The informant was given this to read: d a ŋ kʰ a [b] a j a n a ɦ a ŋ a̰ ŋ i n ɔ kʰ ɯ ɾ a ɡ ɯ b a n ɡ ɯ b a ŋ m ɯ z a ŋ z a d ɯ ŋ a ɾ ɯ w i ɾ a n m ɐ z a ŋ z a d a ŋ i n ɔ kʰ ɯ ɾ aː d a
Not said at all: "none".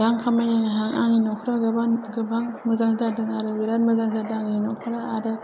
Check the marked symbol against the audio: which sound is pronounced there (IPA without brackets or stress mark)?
m